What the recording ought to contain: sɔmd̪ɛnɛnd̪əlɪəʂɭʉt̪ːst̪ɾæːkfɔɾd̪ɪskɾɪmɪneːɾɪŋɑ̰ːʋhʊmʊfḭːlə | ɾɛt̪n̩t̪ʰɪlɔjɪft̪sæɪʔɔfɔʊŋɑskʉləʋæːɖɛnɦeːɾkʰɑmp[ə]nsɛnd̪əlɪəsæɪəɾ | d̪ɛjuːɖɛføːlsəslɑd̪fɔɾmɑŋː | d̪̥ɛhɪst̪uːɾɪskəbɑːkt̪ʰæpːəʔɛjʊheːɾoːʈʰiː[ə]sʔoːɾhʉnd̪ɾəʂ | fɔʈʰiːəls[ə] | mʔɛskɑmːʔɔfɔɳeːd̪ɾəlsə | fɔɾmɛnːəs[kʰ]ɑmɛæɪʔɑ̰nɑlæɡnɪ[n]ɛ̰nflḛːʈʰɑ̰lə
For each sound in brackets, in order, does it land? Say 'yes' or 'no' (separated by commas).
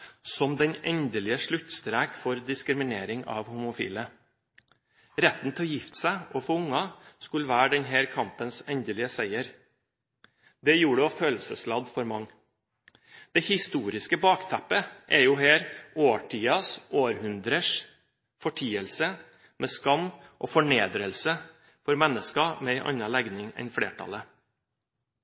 yes, no, yes, no, no